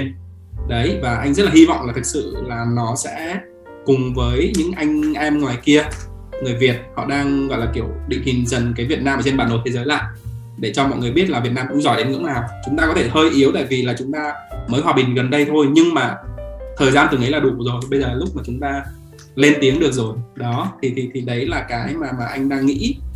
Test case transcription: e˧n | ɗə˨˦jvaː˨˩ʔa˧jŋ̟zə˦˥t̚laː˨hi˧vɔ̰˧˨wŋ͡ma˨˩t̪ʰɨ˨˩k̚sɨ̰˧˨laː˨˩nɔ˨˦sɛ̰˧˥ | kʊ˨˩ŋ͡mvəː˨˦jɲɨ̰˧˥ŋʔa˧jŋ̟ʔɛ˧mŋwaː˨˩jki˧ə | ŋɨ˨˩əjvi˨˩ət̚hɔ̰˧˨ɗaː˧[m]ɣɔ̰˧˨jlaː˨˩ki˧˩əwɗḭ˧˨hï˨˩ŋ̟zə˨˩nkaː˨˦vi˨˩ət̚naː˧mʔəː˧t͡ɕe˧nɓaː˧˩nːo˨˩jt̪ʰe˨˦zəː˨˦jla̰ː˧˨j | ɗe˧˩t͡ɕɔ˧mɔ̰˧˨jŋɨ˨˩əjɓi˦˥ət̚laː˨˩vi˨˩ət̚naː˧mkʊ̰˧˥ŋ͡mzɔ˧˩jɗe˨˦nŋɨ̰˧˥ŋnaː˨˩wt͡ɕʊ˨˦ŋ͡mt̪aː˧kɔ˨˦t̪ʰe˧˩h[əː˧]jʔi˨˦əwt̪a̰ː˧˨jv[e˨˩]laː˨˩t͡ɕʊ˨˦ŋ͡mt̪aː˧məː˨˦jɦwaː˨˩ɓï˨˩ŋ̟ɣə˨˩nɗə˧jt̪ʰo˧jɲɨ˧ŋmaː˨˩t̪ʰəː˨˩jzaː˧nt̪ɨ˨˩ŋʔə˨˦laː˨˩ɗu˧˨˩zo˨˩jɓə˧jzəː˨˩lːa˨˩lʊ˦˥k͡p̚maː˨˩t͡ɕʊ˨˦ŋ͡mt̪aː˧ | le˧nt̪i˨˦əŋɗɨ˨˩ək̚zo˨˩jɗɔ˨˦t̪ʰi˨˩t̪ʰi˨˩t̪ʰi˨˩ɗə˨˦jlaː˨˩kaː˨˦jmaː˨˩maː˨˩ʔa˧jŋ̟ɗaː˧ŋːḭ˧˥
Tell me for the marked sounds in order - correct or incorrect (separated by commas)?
incorrect, correct, incorrect